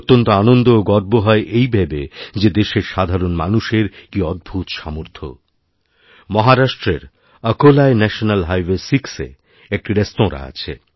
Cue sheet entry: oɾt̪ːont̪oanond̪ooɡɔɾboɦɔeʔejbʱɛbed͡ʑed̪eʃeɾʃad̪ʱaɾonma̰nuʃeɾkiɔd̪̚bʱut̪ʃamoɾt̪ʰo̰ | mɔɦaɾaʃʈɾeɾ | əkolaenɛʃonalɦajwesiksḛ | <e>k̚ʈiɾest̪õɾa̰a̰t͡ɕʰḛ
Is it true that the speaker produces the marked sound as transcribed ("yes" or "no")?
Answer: yes